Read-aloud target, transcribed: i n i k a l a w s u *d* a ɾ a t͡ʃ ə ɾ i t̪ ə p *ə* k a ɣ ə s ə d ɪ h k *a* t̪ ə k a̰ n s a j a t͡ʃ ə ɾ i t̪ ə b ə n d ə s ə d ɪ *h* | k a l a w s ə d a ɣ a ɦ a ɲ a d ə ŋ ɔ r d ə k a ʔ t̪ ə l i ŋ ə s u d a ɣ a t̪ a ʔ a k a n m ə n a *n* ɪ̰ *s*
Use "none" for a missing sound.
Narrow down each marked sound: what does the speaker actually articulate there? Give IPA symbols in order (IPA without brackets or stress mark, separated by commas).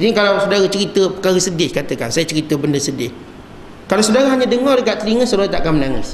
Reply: d, ə, a, h, ŋ, s